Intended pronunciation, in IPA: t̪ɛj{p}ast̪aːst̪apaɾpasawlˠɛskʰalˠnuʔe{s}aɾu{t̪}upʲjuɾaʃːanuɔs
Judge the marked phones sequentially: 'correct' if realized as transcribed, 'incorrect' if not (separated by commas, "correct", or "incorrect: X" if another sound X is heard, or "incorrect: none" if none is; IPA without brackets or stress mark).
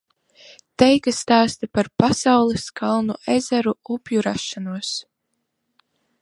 incorrect: k, incorrect: z, incorrect: none